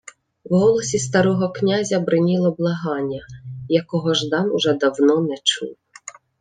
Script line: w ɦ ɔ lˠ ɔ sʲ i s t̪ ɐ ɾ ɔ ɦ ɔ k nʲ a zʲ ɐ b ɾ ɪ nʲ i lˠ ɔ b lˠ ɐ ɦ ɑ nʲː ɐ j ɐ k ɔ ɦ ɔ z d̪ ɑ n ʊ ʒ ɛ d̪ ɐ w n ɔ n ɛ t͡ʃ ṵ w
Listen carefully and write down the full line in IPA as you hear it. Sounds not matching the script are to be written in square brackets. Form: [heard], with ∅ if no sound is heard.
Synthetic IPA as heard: w ɦ ɔ lˠ ɔ sʲ i s t̪ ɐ ɾ ɔ ɦ ɔ k nʲ a zʲ ɐ b ɾ ɪ nʲ i lˠ ɔ b lˠ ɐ ɦ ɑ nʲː ɐ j ɐ k ɔ ɦ ɔ [ʒ] d̪ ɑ n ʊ ʒ ɛ d̪ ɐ w n ɔ n ɛ t͡ʃ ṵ w

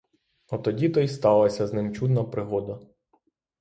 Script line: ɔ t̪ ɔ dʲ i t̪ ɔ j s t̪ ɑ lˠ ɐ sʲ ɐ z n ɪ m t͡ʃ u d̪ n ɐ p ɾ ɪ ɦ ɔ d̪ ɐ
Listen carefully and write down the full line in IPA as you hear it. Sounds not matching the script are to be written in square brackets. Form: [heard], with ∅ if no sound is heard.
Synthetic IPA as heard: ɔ t̪ ɔ dʲ i t̪ ɔ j s t̪ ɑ lˠ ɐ sʲ ɐ z n ɪ m t͡ʃ u d̪ n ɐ p ɾ ɪ ɦ ɔ d̪ ɐ

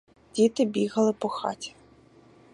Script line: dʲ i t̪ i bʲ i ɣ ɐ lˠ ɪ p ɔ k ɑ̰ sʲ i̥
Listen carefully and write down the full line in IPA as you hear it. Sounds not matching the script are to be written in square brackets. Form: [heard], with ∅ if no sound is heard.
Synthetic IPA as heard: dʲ i t̪ [ɪ] bʲ i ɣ ɐ lˠ ɪ p ɔ [x] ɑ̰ [tʲ] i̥

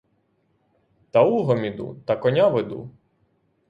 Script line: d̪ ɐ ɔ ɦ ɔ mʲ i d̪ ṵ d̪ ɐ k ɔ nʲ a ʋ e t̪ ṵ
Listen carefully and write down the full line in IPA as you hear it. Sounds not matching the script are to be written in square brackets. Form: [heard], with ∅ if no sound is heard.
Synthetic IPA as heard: [t̪] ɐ [u] ɦ ɔ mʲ i d̪ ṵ [t̪] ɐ k ɔ nʲ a ʋ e [d̪] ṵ

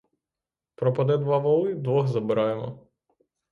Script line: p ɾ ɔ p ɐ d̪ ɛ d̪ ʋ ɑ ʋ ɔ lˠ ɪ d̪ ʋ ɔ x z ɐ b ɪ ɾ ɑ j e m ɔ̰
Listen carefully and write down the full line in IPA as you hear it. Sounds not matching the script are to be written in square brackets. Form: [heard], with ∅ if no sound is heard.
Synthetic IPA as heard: p ɾ ɔ p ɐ d̪ ɛ d̪ ʋ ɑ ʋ ɔ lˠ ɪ d̪ ʋ ɔ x z ɐ b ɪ ɾ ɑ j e m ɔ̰

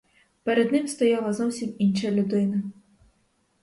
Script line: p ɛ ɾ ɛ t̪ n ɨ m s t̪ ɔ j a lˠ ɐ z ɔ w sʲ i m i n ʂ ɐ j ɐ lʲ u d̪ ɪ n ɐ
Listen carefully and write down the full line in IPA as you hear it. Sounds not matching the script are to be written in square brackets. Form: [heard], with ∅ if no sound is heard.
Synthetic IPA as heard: p ɛ ɾ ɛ [d̪] n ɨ m s t̪ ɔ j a lˠ ɐ z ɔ w sʲ i m i n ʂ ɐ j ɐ lʲ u d̪ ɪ n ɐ

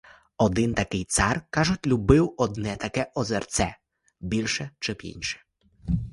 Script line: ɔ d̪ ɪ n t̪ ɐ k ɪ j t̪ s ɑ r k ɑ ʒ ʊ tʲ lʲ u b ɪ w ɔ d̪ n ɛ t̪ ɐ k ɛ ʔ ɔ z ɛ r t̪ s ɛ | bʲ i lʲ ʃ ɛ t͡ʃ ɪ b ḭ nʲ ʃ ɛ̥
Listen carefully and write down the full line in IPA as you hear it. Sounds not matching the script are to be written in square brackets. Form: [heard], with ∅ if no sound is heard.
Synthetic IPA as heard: ɔ d̪ ɪ n t̪ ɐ k ɪ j t̪ s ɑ r k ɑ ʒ ʊ tʲ lʲ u b ɪ w ɔ d̪ n ɛ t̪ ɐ k ɛ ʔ ɔ z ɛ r t̪ s ɛ | bʲ i lʲ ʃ ɛ t͡ʃ ɪ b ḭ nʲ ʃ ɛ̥

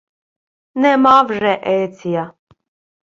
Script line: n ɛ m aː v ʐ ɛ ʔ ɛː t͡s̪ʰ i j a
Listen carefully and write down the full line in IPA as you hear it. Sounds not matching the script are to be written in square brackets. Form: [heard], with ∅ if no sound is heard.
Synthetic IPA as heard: n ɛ m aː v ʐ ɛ ʔ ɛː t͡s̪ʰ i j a

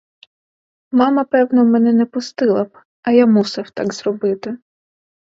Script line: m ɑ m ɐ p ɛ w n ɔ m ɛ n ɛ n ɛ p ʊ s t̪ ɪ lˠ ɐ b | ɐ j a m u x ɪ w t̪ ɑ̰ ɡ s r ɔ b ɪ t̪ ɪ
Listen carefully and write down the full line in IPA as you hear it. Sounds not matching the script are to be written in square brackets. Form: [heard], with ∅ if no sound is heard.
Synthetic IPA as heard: m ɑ m ɐ p ɛ w n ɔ m ɛ n ɛ n ɛ p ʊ s t̪ ɪ lˠ ɐ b | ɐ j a m u [s] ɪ w t̪ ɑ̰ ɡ [z] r ɔ b ɪ t̪ ɪ

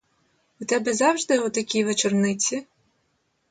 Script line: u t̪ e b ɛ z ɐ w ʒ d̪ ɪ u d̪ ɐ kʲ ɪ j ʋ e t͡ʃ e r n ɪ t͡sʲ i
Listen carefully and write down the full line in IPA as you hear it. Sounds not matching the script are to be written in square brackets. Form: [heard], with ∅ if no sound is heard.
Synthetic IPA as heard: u t̪ [ɛ] b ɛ z [ɑ] w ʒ d̪ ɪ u [t̪] ɐ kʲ [i] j ʋ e t͡ʃ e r n ɪ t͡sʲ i

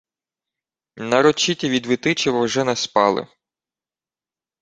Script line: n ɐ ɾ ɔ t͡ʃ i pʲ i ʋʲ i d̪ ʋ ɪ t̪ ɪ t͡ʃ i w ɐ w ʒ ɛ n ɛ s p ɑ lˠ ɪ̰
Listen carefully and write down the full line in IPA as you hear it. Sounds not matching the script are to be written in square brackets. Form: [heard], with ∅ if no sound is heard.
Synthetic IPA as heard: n ɐ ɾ ɔ t͡ʃ i [tʲ] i ʋʲ i d̪ ʋ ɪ t̪ ɪ t͡ʃ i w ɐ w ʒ ɛ n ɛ s p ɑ lˠ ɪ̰

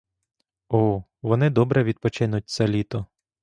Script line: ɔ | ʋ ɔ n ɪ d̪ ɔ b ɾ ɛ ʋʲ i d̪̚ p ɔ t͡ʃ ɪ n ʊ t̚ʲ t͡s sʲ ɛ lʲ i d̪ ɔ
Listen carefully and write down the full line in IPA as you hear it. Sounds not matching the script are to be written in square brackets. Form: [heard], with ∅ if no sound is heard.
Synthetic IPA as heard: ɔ | ʋ ɔ n ɪ d̪ ɔ b ɾ ɛ ʋʲ i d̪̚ p ɔ t͡ʃ ɪ n ʊ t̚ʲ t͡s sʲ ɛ lʲ i [t̪] ɔ

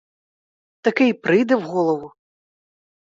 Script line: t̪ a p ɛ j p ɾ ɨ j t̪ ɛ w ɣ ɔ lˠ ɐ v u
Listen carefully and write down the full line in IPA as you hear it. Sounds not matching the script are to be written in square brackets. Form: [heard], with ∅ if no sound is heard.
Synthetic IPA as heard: t̪ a [k] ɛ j p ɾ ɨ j [d̪] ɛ w ɣ ɔ lˠ ɐ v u

